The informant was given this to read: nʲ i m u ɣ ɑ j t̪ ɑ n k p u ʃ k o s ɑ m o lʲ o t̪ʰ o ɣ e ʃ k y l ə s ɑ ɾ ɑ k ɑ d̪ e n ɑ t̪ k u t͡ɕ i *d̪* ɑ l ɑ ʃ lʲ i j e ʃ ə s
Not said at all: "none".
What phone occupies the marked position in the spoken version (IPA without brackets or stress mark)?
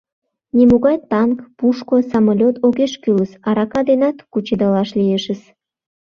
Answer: d̪